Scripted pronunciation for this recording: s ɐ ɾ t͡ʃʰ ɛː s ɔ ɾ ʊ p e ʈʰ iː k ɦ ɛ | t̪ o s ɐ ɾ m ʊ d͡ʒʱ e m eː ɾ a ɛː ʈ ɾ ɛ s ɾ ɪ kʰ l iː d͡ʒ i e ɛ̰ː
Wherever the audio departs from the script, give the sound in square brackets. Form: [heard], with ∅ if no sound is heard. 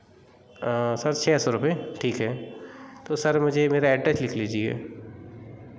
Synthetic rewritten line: s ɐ ɾ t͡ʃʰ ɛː s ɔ ɾ ʊ p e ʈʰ iː k ɦ ɛ | t̪ o s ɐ ɾ m ʊ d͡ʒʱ e m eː ɾ a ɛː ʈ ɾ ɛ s [l] ɪ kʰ l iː d͡ʒ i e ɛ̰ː